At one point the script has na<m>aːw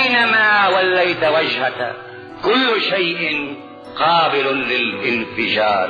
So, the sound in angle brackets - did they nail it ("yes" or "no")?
yes